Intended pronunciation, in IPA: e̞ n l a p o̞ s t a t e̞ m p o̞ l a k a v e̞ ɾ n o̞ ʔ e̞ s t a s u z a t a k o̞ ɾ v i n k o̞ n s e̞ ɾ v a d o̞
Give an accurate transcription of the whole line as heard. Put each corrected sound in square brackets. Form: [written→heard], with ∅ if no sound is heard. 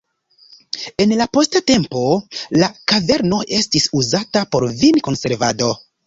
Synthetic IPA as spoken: e̞ n l a p o̞ s t a t e̞ m p o̞ l a k a v e̞ ɾ n o̞ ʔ e̞ s t [a→i] s u z a t a [k→p] o̞ ɾ v i n k o̞ n s e̞ ɾ v a d o̞